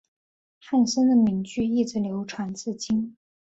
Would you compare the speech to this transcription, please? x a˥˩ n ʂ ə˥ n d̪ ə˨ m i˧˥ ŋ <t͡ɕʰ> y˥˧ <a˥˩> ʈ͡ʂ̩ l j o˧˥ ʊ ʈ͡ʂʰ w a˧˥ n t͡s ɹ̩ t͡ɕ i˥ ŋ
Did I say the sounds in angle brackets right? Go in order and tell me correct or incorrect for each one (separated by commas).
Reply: incorrect, incorrect